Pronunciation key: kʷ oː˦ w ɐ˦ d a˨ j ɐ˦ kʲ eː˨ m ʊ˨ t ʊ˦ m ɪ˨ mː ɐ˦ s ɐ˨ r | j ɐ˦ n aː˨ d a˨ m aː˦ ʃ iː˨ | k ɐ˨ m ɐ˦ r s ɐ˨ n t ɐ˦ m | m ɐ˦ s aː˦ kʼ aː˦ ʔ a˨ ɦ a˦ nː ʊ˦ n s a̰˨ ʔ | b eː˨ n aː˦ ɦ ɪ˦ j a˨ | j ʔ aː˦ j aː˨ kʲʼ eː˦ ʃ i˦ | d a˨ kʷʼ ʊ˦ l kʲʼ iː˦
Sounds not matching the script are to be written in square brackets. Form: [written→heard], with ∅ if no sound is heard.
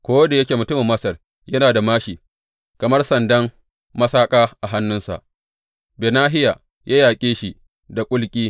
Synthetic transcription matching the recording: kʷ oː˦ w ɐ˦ d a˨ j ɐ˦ kʲ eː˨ m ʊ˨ t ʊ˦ m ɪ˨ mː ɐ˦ s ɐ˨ r | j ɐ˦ n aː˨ d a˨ m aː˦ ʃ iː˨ | k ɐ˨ m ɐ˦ r s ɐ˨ n [t→d] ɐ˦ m | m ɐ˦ s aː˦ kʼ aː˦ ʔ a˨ ɦ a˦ nː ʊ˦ n s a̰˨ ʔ | b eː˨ n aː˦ ɦ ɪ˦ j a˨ | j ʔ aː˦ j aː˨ kʲʼ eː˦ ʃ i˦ | d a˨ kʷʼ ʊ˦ l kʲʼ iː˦